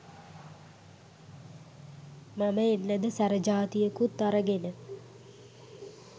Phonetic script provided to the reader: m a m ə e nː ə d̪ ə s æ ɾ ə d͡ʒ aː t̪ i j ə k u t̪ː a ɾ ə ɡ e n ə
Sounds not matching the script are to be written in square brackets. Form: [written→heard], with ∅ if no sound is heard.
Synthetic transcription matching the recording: m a m ə e nː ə d̪ ə s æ ɾ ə d͡ʒ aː t̪ i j ə k u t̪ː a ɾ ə ɡ e n ə